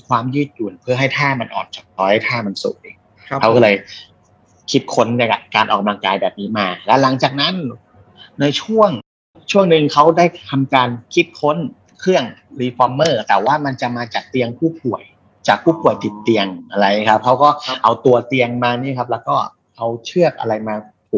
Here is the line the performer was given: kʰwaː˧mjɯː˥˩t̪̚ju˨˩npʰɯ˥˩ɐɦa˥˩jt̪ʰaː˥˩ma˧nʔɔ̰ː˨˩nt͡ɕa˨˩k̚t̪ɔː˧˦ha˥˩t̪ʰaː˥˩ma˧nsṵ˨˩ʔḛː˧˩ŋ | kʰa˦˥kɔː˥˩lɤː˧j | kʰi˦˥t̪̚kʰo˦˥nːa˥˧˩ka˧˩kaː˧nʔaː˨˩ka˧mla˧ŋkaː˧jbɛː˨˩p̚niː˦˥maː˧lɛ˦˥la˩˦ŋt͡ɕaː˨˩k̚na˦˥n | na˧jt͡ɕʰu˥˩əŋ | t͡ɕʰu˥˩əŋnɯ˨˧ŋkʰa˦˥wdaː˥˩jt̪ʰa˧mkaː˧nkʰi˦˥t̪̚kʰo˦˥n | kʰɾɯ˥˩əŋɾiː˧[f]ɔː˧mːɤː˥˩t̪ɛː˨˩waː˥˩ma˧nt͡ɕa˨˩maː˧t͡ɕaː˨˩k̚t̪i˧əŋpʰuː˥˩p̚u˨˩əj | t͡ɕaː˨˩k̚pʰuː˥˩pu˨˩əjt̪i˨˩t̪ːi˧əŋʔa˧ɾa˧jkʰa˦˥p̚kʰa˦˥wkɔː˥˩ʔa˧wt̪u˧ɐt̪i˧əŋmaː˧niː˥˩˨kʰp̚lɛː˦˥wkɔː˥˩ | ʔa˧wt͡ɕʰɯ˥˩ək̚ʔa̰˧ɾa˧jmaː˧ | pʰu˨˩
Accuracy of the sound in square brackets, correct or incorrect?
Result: correct